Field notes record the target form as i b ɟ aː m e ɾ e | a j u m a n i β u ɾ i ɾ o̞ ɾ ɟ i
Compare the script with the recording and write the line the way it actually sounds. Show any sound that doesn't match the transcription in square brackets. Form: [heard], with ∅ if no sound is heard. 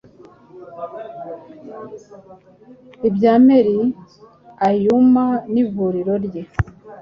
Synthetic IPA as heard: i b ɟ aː m e ɾ [i] | a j u m a n i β u ɾ i ɾ o̞ ɾ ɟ [e]